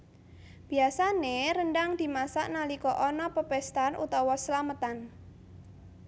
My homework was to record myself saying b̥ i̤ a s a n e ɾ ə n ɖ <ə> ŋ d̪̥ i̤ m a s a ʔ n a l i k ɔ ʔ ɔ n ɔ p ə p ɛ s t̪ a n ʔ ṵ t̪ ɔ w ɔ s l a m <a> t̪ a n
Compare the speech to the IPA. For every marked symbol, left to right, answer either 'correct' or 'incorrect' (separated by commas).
incorrect, incorrect